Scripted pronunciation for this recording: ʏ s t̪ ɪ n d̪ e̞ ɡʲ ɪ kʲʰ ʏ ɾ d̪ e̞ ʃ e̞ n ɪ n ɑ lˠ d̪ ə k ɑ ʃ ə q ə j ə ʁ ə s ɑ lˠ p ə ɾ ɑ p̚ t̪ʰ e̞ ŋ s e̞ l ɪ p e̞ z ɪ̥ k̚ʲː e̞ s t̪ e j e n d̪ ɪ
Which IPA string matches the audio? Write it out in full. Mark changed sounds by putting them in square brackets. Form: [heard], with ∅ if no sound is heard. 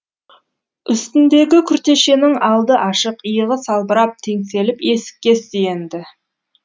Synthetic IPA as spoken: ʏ s t̪ ɪ n d̪ e̞ ɡʲ ɪ kʲʰ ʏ ɾ [t̪] e̞ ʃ e̞ n ɪ [ŋ] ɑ lˠ d̪ ə [ʔ] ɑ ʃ ə q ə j ə ʁ ə s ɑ lˠ [b] ə ɾ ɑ p̚ t̪ʰ e̞ ŋ s e̞ l ɪ p e̞ [s] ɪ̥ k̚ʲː e̞ s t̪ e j e n d̪ ɪ